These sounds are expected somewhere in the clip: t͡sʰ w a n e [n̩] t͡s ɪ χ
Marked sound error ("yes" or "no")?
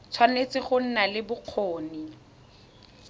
yes